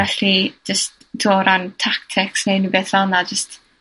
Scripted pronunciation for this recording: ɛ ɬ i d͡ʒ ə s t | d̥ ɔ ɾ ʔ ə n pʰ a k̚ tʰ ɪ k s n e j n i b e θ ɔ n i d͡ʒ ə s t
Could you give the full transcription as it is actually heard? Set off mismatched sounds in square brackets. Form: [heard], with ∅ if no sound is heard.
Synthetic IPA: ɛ ɬ i d͡ʒ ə s t | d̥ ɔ ɾ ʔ [a] n [tʰ] a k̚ tʰ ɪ k s n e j n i b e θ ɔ n [a] d͡ʒ ə s t